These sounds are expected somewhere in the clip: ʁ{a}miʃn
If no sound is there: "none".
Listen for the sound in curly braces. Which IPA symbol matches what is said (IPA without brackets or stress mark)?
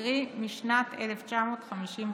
i